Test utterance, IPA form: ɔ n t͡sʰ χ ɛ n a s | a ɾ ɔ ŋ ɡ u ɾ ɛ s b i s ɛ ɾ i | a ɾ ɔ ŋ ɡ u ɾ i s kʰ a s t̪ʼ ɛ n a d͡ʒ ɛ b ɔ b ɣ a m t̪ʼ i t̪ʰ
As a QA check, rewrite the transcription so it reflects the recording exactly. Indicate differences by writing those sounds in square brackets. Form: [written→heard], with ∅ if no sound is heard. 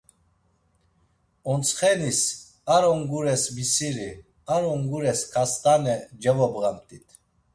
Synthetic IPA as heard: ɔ n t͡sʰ χ ɛ n [a→i] s | a ɾ ɔ ŋ ɡ u ɾ ɛ s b i s [ɛ→i] ɾ i | a ɾ ɔ ŋ ɡ u ɾ [i→ɛ] s kʰ a s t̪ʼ [ɛ→a] n [a→ɛ] d͡ʒ ɛ [b→v] ɔ b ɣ a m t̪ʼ i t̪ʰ

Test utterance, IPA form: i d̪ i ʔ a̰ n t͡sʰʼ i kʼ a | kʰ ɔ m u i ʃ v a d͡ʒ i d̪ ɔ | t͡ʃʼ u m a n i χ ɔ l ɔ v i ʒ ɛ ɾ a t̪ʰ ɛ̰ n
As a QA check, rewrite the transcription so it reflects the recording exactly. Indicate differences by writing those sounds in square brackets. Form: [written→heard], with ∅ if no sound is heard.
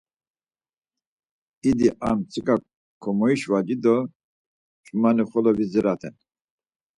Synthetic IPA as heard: i d̪ i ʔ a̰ [n→m] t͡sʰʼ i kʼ a | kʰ ɔ m [u→ɔ] i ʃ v a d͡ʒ i d̪ ɔ | t͡ʃʼ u m a n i χ ɔ l ɔ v i [ʒ→z] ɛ ɾ a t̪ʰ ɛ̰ n

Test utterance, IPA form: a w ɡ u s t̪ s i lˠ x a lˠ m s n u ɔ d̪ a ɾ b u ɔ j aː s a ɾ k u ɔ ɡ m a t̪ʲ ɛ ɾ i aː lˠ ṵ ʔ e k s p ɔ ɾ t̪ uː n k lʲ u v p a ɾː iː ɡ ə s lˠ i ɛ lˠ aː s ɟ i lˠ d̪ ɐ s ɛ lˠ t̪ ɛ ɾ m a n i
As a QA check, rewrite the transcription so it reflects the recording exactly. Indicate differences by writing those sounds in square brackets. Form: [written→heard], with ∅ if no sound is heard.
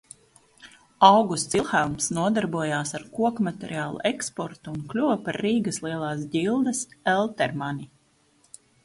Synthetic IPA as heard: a w ɡ u s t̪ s i lˠ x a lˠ m s n u ɔ d̪ a ɾ b u ɔ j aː s a ɾ k u ɔ [ɡ→k] m a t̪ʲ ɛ ɾ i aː lˠ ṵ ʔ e k s p ɔ ɾ t̪ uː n k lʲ u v p a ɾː iː ɡ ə s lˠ i ɛ lˠ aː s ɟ i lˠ d̪ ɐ s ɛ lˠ t̪ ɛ ɾ m a n i

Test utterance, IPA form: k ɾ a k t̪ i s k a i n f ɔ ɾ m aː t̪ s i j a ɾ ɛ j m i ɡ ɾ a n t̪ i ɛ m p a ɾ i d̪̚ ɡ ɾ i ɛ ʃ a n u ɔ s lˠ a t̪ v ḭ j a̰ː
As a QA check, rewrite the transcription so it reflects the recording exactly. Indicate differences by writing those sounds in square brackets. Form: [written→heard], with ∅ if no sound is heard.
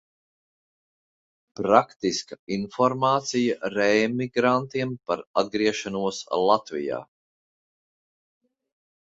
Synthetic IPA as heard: [k→p] ɾ a k t̪ i s k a i n f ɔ ɾ m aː t̪ s i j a ɾ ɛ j m i ɡ ɾ a n t̪ i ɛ m p a ɾ [i→a] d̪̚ ɡ ɾ i ɛ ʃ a n u ɔ s lˠ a t̪ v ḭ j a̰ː

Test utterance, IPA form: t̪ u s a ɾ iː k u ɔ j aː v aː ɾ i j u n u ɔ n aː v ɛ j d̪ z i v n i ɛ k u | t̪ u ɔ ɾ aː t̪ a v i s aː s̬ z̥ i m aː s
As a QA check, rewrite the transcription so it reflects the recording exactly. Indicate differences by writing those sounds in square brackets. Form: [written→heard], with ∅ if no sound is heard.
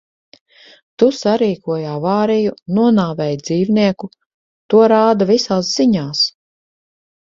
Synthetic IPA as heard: t̪ u s a ɾ iː k u ɔ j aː v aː ɾ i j u n u ɔ n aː v ɛ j d̪ z [i→iː] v n i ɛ k u | t̪ u ɔ ɾ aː [t̪→d̪] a v i s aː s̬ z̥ i [m→ɲ] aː s

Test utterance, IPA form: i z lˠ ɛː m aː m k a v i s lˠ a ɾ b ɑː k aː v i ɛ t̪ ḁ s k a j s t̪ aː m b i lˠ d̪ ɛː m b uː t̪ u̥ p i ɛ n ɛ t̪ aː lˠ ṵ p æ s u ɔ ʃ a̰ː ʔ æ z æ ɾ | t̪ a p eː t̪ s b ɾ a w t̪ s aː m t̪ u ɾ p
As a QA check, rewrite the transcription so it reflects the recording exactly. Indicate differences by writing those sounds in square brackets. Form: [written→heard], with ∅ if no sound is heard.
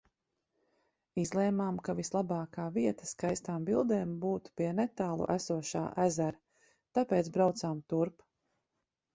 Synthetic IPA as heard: i z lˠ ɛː m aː m k a v i s lˠ a [ɾ→∅] b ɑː k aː v i ɛ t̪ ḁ s k a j s t̪ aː m b i lˠ d̪ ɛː m b uː t̪ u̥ p i ɛ n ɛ t̪ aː lˠ ṵ [p→ʔ] æ s u ɔ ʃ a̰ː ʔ æ z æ ɾ | t̪ a p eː t̪ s b ɾ a w t̪ s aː m t̪ u ɾ p

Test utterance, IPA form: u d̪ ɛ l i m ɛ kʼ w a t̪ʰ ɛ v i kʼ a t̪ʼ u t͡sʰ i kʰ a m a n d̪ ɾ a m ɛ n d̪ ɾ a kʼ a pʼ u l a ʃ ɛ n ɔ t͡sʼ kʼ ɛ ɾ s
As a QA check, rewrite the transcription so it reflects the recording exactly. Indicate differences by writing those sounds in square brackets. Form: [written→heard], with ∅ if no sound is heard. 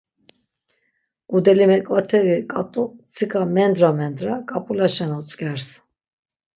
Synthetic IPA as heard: u d̪ ɛ l i m ɛ kʼ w a t̪ʰ ɛ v i kʼ a t̪ʼ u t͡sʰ i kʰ a m [a→ɛ] n d̪ ɾ a m ɛ n d̪ ɾ a kʼ a pʼ u l a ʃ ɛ n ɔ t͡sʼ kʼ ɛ ɾ s

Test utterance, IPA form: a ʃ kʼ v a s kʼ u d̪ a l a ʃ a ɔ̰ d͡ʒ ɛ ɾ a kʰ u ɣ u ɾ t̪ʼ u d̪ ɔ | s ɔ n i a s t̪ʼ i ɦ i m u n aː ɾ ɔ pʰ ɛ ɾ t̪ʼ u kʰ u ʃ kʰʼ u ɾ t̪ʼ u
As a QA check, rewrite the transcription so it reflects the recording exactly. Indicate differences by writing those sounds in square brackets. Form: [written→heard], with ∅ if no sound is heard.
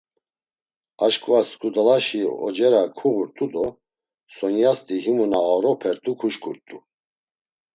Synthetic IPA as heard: a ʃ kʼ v a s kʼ u d̪ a l a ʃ [a→i] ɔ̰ d͡ʒ ɛ ɾ a kʰ u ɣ u ɾ t̪ʼ u d̪ ɔ | s ɔ n [i→j] a s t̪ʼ i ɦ i m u n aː ɾ ɔ pʰ ɛ ɾ t̪ʼ u kʰ u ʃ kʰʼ u ɾ t̪ʼ u

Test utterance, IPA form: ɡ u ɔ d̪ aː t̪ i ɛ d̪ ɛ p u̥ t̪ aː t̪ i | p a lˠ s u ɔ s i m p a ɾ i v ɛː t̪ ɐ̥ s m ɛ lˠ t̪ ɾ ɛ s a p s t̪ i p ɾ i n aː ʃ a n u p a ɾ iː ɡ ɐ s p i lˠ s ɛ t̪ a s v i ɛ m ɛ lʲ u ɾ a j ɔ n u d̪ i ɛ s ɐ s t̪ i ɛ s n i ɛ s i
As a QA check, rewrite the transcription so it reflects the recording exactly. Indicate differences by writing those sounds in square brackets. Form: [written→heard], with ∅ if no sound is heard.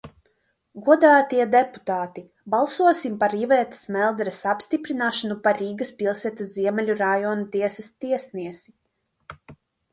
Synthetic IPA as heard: ɡ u ɔ d̪ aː t̪ i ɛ d̪ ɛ p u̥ t̪ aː t̪ i | [p→b] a lˠ s u ɔ s i m p a ɾ i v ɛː t̪ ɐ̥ s m ɛ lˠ [t̪→d̪] ɾ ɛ s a p s t̪ i p ɾ i n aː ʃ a n u p a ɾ iː ɡ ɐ s p i lˠ s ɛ t̪ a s [v→z] i ɛ m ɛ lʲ u ɾ a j ɔ n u [d̪→t̪] i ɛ s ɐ s t̪ i ɛ s n i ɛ s i

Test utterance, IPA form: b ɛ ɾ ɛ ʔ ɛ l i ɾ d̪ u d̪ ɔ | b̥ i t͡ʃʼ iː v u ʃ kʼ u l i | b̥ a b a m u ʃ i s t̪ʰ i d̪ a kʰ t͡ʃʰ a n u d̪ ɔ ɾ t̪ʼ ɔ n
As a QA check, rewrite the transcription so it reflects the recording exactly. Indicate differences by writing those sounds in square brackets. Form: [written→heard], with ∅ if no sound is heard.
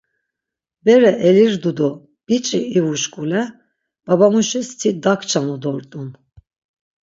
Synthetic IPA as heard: b ɛ ɾ ɛ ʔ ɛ l i ɾ d̪ u d̪ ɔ | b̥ i t͡ʃʼ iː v u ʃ kʼ u l [i→ɛ] | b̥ a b a m u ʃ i s t̪ʰ i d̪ a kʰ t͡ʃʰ a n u d̪ ɔ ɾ t̪ʼ [ɔ→u] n

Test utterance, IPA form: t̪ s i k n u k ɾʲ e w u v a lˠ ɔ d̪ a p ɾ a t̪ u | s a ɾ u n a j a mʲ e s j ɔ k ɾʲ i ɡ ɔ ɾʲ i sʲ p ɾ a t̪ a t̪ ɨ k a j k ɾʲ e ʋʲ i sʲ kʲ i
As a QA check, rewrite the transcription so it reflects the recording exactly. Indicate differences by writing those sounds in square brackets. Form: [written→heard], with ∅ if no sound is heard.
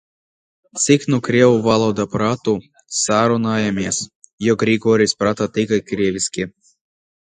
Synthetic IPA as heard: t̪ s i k n u k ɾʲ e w u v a lˠ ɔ d̪ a p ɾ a t̪ u | s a ɾ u n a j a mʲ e s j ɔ [k→ɡ] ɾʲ i ɡ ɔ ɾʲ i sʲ p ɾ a t̪ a t̪ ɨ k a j k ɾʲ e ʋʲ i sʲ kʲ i

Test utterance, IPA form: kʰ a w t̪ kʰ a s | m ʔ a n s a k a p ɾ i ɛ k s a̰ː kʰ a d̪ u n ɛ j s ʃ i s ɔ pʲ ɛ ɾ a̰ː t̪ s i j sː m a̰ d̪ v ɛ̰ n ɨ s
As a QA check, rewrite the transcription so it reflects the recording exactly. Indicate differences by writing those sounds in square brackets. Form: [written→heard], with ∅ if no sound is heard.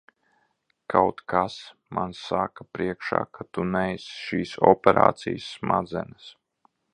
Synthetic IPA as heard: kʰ a w t̪ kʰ a s | m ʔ a n s a k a p ɾ i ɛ k [s→ʃ] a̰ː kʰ a [d̪→t̪] u n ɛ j s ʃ [i→iː] s ɔ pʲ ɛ ɾ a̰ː t̪ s i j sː m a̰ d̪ [v→z] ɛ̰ n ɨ s

